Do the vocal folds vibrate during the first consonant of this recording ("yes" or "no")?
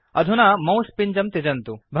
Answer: yes